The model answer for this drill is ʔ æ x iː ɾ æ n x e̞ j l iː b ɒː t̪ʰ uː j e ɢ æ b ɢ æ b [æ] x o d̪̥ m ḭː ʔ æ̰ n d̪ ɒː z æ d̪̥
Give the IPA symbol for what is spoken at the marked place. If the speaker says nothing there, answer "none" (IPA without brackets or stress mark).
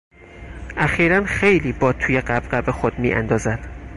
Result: e